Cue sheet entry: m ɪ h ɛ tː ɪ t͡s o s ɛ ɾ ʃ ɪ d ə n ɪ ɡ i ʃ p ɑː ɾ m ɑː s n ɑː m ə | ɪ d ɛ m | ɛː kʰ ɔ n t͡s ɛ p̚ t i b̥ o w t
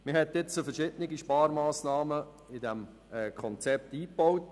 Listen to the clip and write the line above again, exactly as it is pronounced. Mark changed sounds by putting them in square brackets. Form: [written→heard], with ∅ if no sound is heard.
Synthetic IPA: m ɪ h ɛ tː ɪ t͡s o [s→f] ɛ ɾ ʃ ɪ d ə n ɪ ɡ i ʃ p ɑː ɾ m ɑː s n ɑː m ə | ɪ d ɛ m | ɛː kʰ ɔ n t͡s ɛ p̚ t [i→iː] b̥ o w t